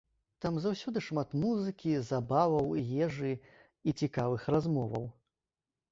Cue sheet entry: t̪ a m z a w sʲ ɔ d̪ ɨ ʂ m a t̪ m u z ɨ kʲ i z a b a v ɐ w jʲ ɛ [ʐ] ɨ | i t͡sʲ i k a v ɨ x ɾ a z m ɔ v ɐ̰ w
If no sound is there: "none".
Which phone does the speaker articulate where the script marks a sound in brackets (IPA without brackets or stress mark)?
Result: ʐ